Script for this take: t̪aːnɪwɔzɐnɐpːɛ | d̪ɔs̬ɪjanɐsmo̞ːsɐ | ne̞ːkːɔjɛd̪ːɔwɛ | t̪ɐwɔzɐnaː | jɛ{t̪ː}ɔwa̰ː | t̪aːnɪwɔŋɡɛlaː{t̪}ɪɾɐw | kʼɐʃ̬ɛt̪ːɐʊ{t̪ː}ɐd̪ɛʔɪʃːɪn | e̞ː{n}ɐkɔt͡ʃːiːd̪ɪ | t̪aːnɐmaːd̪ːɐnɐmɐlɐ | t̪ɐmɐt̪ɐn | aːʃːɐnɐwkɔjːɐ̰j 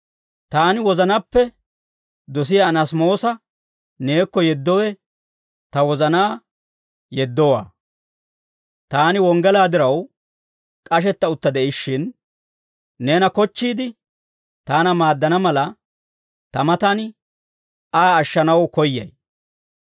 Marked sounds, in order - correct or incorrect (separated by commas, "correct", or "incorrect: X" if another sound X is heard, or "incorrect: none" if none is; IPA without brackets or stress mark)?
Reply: incorrect: d̪ː, incorrect: d̪, correct, correct